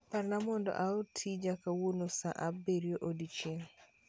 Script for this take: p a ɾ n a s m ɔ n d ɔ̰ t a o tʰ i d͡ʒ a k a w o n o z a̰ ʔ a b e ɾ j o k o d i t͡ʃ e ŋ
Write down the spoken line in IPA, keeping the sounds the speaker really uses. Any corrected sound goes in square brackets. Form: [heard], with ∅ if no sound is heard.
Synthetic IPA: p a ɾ n a [∅] m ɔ n d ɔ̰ [ʔ] a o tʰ i d͡ʒ a k a w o n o [s] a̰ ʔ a b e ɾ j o [ʔ] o d i t͡ʃ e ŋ